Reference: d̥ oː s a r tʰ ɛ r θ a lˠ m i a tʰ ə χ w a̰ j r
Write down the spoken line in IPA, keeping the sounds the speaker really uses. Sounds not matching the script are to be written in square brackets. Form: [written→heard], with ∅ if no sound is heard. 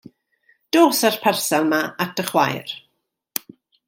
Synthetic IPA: d̥ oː s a r [tʰ→pʰ] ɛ r [θ→s] a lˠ m [i→a] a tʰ ə χ w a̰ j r